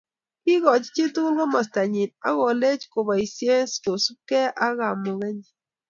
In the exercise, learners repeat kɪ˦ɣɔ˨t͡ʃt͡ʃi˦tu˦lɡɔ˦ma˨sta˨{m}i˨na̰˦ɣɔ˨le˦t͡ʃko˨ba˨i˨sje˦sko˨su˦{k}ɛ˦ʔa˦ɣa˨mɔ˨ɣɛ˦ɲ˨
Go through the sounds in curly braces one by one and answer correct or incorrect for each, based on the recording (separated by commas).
incorrect, correct